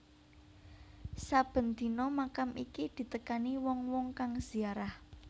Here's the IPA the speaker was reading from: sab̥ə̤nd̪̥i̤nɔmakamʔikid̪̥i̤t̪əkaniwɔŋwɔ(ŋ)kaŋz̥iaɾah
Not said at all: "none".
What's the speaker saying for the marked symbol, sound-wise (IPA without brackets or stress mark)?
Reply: ŋ